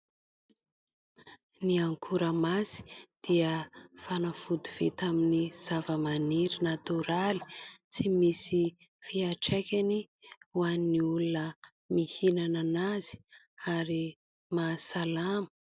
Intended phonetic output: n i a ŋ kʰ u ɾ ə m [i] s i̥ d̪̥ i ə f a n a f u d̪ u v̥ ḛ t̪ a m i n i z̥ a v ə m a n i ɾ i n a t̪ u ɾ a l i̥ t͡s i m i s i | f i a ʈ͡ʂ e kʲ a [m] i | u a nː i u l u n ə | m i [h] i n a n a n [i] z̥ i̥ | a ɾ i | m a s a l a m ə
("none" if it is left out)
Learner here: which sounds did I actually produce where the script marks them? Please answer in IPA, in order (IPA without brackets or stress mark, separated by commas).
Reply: a, n, h, a